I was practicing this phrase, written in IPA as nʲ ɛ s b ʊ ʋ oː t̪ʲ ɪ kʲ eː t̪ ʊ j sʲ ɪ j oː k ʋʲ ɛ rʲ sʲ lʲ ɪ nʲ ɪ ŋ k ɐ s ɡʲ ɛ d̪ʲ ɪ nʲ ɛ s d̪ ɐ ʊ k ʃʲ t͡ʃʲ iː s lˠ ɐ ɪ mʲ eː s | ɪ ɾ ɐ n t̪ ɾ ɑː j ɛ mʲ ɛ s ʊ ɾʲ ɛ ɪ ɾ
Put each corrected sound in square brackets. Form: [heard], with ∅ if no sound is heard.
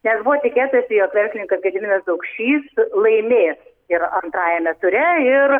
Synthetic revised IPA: nʲ ɛ s b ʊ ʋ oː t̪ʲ ɪ kʲ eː t̪ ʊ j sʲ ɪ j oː k ʋʲ ɛ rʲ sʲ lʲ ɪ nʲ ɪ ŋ k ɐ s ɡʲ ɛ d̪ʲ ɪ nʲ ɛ s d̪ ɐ ʊ k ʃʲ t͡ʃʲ iː s lˠ ɐ ɪ mʲ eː s | ɪ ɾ ɐ n t̪ ɾ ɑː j ɛ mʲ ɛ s ʊ ɾʲ ɛ ɪ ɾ